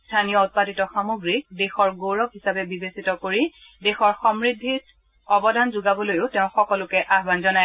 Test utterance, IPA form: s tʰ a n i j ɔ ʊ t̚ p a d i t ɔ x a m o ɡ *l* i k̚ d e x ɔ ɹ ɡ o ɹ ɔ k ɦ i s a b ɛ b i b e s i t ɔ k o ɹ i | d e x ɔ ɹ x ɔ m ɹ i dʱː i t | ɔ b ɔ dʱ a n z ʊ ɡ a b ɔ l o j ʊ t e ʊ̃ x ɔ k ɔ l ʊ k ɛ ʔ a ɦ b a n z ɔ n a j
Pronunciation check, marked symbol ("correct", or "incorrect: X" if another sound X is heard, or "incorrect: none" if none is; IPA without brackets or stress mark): incorrect: ɹ